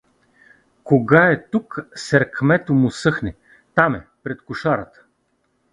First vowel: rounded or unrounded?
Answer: rounded